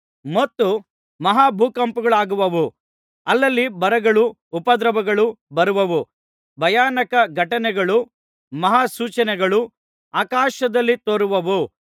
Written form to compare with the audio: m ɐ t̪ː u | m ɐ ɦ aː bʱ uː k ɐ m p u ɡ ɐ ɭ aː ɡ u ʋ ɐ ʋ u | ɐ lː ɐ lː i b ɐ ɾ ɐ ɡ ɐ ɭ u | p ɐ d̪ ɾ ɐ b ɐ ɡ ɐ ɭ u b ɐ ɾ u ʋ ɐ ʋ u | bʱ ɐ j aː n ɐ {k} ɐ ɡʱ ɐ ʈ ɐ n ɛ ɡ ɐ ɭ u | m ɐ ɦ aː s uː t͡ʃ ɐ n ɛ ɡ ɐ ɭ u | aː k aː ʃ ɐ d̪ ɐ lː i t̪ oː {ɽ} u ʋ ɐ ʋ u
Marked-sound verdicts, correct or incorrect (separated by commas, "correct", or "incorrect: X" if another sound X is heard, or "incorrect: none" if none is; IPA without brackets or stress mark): correct, incorrect: ɾ